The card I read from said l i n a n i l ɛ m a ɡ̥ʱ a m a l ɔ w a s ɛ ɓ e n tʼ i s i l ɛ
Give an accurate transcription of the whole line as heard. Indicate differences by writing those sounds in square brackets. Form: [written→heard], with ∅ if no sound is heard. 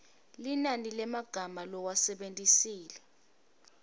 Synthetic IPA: l i n a n i l ɛ m a ɡ̥ʱ a m a l ɔ w a s ɛ ɓ e n tʼ i s [i→iː] l ɛ